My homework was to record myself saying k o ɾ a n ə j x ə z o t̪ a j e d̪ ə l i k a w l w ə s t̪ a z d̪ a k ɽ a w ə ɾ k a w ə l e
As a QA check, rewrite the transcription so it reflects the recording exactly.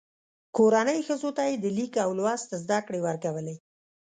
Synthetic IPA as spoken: k o ɾ a n ə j x ə z o t̪ a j e d̪ ə l i k a w l w ɑ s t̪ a z d̪ a k ɽ e w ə ɾ k a w ə l e

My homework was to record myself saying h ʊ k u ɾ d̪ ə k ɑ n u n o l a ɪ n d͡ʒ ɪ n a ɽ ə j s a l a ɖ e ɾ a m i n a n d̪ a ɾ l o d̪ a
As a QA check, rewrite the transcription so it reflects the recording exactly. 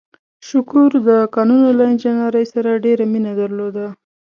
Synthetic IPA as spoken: ʃ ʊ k u ɾ d̪ ə k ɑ n u n o l a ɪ n d͡ʒ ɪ n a ɾ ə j s a ɾ a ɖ e ɾ a m i n a d̪ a ɾ l o d̪ a

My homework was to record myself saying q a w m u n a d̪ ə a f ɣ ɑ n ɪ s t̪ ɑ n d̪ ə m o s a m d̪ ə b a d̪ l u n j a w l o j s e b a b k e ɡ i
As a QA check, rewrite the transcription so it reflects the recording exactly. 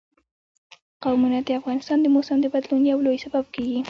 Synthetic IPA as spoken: q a w m u n a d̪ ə a f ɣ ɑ n ɪ s t̪ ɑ n d̪ ə m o s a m d̪ ə b a d̪ l u n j a w l o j s a b a b k e ɡ i

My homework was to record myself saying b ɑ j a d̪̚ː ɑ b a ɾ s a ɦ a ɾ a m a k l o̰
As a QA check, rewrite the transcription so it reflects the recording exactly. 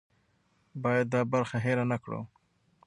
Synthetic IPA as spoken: b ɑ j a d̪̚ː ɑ b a ɾ x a ɦ e ɾ a n a k ɽ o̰

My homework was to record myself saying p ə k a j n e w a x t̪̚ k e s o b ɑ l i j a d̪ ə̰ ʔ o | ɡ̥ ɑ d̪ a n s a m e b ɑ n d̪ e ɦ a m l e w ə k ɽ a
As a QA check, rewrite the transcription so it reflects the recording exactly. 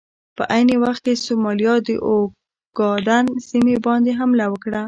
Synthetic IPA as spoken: p ə ʔ a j n e w a x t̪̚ k e s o m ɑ l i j ɑ d̪ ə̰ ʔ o | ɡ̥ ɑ d̪ a n s i m e b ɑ n d̪ e ɦ a m l a w ə k ɽ a

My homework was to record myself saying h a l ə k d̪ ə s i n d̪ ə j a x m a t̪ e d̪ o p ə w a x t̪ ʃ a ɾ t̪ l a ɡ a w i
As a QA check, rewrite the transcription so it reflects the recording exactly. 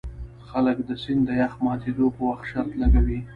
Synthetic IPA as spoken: x a l ə k d̪ ə s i n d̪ ə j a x m ɑ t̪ e d̪ o p ə w a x t̪ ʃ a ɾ t̪ l a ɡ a w i

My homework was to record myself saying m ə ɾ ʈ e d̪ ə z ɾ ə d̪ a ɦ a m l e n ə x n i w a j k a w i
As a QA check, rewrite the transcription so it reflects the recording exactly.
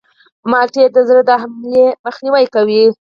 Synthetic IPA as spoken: m ɑ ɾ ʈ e d̪ ə z ɾ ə d̪ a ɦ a m l e m ə x n i w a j k a w i

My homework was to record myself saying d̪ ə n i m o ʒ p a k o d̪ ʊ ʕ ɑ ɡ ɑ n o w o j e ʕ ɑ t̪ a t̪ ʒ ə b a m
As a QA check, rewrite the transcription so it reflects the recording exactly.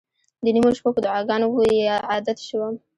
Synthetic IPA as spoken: d̪ ə n i m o ʃ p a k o d̪ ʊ ʕ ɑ ɡ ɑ n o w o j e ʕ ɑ d̪ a t̪ ʃ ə w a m

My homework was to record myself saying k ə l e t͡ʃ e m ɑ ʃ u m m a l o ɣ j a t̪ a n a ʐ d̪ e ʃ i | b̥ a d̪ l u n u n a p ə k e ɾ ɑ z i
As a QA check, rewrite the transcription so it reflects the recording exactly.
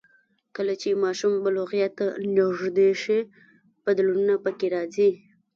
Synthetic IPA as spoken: k ə l a t͡ʃ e m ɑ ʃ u m b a l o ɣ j a t̪ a n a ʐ d̪ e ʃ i | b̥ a d̪ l u n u n a p ə k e ɾ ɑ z i

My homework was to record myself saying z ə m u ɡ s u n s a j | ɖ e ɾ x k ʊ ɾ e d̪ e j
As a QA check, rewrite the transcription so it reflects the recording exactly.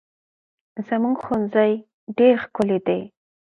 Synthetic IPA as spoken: z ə m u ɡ x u n z a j | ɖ e ɾ x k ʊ l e d̪ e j

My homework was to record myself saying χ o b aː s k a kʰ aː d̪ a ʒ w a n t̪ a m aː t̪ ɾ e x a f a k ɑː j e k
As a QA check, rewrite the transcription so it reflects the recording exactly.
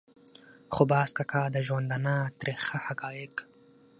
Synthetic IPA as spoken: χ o b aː s k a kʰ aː d̪ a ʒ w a n d̪ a n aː t̪ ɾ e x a h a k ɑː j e k

